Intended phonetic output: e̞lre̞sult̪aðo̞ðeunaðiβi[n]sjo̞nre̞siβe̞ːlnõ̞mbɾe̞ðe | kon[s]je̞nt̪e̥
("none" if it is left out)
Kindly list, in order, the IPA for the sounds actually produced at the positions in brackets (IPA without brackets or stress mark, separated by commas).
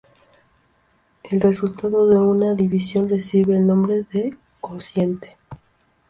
none, s